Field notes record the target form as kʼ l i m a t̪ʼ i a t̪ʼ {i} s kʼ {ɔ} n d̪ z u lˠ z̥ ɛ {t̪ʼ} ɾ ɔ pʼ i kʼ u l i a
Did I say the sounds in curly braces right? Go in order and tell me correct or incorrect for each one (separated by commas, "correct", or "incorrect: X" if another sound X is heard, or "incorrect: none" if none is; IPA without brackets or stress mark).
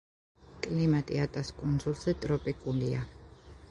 incorrect: a, incorrect: u, correct